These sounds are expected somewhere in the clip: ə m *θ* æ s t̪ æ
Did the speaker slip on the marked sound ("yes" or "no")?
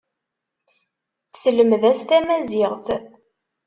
yes